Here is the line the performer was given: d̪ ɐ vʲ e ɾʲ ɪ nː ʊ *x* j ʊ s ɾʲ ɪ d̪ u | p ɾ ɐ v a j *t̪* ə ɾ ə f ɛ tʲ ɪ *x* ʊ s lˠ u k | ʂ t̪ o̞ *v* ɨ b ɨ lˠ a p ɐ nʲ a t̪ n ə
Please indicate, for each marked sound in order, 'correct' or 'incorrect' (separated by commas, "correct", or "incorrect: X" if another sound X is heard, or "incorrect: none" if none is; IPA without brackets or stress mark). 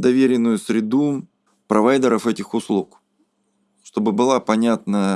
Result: incorrect: none, incorrect: d̪, correct, incorrect: b